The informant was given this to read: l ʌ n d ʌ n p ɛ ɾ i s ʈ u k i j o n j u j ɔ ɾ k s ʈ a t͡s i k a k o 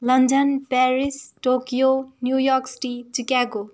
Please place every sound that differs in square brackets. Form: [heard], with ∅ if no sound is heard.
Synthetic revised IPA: l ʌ n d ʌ n p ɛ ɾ i s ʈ [o] k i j o n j u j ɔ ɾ k s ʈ [i] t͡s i k a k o